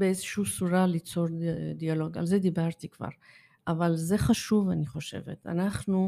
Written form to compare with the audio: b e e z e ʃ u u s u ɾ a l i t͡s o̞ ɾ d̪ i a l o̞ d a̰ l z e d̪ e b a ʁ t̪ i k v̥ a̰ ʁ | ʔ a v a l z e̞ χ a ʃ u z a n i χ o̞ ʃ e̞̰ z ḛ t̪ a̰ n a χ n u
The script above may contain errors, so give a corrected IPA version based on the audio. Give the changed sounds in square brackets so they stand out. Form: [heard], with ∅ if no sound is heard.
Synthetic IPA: b e e z e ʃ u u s u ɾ a l i t͡s o̞ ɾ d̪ i a l o̞ [ɡ] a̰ l z e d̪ [i] b a ʁ t̪ i k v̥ a̰ ʁ | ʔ a v a l z e̞ χ a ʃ u [v] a n i χ o̞ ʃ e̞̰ [v] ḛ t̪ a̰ n a χ n u